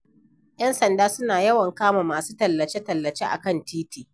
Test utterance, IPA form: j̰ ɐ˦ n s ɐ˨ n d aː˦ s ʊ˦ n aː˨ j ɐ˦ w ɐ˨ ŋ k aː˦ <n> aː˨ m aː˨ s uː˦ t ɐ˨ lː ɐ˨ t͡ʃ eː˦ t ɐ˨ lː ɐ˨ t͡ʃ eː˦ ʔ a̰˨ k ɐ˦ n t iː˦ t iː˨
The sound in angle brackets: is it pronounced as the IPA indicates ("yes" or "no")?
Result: no